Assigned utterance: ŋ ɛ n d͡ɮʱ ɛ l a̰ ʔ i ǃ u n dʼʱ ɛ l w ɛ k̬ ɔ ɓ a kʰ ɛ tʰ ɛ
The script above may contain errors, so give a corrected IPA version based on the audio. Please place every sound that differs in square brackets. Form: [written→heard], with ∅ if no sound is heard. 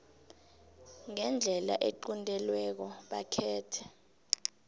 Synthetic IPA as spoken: ŋ ɛ n d͡ɮʱ ɛ l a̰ ʔ [i→e] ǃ u n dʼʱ ɛ l w ɛ k̬ ɔ ɓ a kʰ [ɛ→ɛː] tʰ ɛ

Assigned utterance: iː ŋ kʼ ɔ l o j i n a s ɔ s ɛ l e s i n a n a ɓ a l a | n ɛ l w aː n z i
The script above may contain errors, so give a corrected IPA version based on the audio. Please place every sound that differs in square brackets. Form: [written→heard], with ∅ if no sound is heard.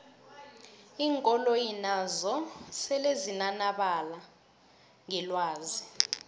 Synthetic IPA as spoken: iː ŋ kʼ ɔ l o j i n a [s→z] ɔ s ɛ l e [s→z] i n a n a ɓ a l a | [n→ŋ] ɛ l w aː [n→∅] z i

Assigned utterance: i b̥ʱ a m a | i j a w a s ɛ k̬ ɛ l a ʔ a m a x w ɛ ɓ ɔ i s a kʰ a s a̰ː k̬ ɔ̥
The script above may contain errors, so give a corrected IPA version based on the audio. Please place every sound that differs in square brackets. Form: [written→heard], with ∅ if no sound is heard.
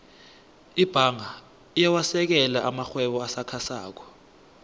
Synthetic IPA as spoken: i b̥ʱ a [m→ŋ] a | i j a w a s ɛ k̬ ɛ l a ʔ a m a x w ɛ ɓ ɔ [i→a] s a kʰ a s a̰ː k̬ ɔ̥

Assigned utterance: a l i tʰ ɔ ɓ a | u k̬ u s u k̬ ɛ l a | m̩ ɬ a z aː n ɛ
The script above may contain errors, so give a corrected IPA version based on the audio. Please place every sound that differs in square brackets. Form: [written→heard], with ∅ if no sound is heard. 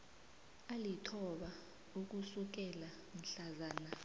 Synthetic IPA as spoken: a l i tʰ ɔ ɓ a | u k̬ u s u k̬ ɛ l a | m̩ ɬ a z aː n [ɛ→a]

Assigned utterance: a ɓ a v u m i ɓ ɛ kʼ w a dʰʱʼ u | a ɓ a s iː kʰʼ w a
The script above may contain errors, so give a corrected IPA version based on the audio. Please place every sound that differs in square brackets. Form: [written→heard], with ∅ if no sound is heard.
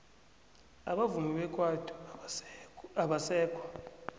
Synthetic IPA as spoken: a ɓ a v u m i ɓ ɛ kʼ w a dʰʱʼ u | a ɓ a s [iː→ɛː] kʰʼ w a

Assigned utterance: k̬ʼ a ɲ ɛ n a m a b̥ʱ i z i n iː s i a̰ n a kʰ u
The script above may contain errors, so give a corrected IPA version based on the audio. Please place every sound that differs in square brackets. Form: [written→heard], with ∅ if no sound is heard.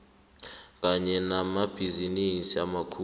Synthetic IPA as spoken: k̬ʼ a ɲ ɛ n a m a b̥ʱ i z i n [iː→i] s i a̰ [n→m] a kʰ u

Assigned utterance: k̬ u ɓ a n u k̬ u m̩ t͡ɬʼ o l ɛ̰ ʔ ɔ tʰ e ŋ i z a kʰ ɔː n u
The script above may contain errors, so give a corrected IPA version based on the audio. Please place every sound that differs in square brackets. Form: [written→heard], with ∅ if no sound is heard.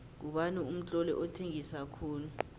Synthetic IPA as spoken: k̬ u ɓ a n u [k̬→∅] u m̩ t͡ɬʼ [o→ɔ] l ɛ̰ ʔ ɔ tʰ e ŋ i [z→s] a kʰ [ɔː→uː] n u

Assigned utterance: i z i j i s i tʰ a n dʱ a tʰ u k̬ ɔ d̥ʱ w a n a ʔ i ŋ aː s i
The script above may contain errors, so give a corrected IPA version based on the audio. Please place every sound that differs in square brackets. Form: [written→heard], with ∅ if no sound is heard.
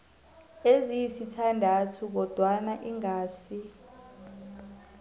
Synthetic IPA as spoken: [i→e] z i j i s i tʰ a n dʱ a tʰ u k̬ ɔ d̥ʱ w a n a ʔ i ŋ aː s i

